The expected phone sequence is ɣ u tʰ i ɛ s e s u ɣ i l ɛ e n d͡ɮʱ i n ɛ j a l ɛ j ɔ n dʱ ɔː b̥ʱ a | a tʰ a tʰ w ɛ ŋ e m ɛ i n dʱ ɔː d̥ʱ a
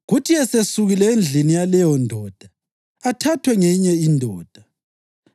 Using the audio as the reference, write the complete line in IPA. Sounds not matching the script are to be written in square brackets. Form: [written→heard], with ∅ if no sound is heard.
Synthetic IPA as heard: ɣ u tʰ i ɛ s e s u ɣ i l ɛ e n d͡ɮʱ i n [ɛ→i] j a l ɛ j ɔ n dʱ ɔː [b̥ʱ→d̥ʱ] a | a tʰ a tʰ w ɛ ŋ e [m→ɲ] ɛ i n dʱ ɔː d̥ʱ a